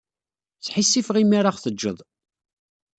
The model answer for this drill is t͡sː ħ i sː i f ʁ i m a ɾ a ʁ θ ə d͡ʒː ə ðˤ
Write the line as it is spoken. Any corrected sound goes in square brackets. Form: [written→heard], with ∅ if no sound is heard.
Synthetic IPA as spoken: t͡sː ħ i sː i f ʁ i m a ɾ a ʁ θ ə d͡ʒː ə ðˤ